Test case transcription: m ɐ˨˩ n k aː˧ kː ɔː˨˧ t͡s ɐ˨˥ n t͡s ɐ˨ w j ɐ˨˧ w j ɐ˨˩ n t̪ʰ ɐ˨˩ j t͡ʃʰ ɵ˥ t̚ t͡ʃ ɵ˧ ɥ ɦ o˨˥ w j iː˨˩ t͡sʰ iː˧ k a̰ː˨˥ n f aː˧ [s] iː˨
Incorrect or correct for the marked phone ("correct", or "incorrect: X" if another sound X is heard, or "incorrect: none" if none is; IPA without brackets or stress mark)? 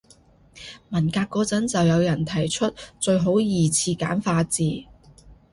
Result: incorrect: t͡s